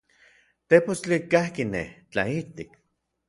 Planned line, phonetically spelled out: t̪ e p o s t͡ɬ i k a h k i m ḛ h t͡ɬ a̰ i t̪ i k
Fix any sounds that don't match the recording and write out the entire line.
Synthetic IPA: t̪ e p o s t͡ɬ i k a h k i n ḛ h t͡ɬ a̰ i t̪ i k